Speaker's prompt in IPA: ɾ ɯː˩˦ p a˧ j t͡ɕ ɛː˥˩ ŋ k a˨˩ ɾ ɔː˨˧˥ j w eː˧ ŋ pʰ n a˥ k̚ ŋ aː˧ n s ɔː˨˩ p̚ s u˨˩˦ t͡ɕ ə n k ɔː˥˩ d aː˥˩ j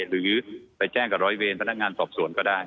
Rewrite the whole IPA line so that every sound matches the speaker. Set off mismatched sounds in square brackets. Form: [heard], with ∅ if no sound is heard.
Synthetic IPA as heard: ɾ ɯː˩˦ p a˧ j t͡ɕ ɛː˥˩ ŋ k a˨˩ ɾ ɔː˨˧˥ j w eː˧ [n] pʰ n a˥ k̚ ŋ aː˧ n s ɔː˨˩ p̚ s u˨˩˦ [∅] ə n k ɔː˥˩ d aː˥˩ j